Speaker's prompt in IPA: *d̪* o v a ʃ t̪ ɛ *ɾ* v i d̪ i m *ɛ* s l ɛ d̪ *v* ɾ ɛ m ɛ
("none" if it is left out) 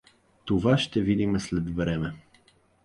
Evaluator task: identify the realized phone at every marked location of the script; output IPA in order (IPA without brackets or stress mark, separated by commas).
t̪, none, ɛ, v